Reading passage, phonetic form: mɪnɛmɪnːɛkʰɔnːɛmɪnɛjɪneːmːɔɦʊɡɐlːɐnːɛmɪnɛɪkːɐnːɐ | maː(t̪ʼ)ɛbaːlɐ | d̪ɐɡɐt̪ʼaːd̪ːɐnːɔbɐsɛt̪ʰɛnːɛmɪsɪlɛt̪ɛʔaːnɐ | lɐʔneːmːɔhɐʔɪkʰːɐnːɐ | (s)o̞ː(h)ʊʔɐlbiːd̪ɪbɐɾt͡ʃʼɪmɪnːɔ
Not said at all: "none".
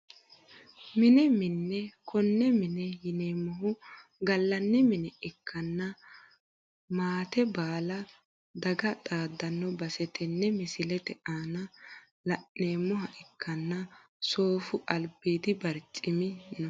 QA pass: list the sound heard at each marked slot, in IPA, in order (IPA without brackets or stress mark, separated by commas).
t̪, s, f